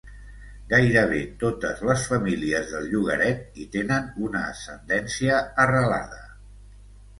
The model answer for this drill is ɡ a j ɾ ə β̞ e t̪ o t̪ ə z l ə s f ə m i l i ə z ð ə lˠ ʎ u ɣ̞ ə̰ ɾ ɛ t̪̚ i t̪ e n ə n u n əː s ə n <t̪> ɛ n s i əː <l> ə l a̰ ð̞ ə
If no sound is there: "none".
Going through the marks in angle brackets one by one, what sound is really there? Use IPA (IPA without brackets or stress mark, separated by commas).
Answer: d̪, r